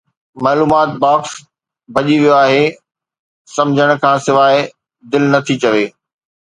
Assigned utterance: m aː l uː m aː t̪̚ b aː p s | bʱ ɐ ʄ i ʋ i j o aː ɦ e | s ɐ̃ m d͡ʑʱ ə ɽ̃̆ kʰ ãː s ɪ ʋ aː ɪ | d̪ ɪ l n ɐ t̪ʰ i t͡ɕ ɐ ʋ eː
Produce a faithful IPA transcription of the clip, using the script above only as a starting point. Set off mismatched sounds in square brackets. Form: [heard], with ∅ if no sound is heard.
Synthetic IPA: m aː l uː m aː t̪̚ b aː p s | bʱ ɐ ʄ i ʋ i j o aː ɦ e | s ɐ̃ m d͡ʑʱ ə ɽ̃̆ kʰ ãː s ɪ ʋ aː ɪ | d̪ ɪ l n ɐ t̪ʰ i t͡ɕ ɐ ʋ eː

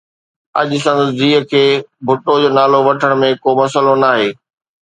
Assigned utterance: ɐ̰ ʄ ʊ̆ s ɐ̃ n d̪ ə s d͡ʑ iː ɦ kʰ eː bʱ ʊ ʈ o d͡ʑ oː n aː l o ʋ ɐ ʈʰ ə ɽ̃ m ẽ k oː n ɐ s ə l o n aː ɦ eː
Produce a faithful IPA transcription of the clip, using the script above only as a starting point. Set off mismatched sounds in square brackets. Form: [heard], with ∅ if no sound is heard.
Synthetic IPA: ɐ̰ ʄ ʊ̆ s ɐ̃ n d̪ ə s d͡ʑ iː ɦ kʰ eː bʱ ʊ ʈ o d͡ʑ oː n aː l o ʋ ɐ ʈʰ ə ɽ̃ m ẽ k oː [m] ɐ s ə l o n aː ɦ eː

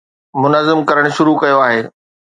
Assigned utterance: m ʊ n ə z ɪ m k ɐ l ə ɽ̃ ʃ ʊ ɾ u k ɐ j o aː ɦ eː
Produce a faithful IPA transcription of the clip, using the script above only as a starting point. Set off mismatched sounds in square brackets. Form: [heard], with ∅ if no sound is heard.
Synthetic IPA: m ʊ n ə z ɪ m k ɐ [ɾ] ə ɽ̃ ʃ ʊ ɾ u k ɐ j o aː ɦ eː

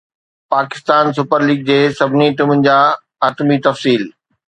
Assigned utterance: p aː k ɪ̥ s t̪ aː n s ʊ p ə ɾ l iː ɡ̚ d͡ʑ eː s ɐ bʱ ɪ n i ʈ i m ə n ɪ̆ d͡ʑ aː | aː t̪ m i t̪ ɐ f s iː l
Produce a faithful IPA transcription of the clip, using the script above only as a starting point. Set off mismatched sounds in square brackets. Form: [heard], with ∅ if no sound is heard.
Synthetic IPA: p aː k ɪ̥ s t̪ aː n s ʊ p ə ɾ l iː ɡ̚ d͡ʑ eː s ɐ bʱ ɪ n i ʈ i m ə n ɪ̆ d͡ʑ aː | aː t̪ m i t̪ ɐ f s iː l

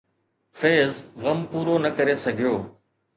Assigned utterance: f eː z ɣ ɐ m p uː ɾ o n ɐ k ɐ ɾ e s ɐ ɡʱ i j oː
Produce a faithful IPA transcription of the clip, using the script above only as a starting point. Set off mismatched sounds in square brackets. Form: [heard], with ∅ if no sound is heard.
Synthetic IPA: f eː z ɣ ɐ m p uː ɾ o n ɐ k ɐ ɾ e s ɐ ɡʱ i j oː

